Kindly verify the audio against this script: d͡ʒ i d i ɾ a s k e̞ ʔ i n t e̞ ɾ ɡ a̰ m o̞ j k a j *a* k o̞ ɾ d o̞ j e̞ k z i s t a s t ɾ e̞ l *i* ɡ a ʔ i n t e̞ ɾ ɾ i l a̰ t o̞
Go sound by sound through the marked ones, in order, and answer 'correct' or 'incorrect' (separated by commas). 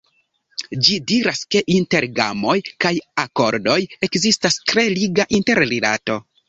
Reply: correct, correct